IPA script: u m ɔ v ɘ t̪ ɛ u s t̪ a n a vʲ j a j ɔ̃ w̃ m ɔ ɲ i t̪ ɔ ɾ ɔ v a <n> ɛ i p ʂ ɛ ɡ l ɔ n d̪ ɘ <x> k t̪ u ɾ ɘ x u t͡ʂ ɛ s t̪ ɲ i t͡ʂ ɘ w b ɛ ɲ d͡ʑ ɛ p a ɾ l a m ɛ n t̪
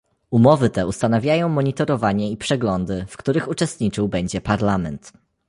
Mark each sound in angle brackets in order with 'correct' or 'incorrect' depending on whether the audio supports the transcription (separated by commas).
incorrect, incorrect